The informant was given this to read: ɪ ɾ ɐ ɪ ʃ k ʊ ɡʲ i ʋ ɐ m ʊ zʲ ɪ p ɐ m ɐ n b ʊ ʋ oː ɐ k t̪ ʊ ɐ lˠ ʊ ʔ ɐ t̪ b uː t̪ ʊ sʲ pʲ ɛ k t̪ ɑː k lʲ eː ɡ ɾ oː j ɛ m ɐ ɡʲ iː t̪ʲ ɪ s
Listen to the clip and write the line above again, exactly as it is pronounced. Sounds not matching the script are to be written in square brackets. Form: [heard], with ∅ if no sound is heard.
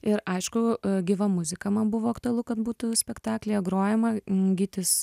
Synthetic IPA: ɪ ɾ ɐ ɪ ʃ k ʊ ɡʲ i ʋ ɐ m ʊ zʲ ɪ [k] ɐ m ɐ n b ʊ ʋ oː ɐ k t̪ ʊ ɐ lˠ ʊ [k] ɐ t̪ b uː t̪ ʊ sʲ pʲ ɛ k t̪ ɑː k lʲ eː ɡ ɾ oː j ɛ m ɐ ɡʲ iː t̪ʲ ɪ s